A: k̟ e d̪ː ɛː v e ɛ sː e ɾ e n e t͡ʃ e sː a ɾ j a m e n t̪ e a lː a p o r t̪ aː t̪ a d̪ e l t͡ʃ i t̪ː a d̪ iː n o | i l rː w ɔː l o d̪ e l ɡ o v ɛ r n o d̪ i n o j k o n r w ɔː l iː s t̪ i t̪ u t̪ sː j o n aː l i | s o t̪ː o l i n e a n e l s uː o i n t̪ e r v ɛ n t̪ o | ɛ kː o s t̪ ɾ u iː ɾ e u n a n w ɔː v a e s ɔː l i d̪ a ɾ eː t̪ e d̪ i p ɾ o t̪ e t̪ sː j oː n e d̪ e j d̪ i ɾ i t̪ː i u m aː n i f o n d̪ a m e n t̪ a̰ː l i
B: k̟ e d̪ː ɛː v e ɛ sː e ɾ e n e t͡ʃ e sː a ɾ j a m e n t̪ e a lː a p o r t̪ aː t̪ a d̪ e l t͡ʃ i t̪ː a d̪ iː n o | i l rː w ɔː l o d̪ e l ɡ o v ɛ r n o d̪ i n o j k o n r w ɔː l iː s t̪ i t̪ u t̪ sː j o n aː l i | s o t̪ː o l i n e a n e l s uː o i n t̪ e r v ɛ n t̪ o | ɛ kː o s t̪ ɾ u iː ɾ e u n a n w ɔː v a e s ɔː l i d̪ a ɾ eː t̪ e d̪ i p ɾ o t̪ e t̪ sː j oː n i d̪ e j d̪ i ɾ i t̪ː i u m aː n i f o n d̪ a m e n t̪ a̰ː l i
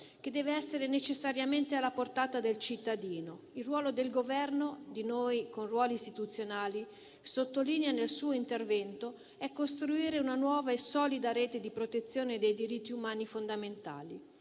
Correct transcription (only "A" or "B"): A